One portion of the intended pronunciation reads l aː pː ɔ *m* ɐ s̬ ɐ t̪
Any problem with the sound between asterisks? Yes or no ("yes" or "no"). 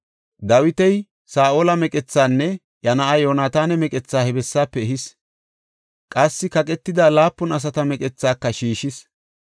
yes